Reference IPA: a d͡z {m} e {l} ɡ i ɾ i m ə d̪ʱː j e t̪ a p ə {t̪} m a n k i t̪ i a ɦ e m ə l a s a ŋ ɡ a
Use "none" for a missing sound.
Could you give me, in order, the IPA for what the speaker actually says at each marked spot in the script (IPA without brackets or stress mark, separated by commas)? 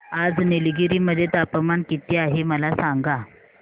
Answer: n, l, none